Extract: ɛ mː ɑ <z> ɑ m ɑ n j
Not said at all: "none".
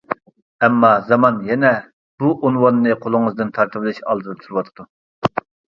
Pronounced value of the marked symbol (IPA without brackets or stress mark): z